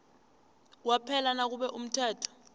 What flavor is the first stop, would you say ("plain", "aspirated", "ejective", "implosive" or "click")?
aspirated